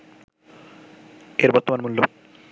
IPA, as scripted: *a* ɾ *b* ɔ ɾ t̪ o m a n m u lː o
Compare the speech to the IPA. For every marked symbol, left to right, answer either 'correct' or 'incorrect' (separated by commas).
incorrect, correct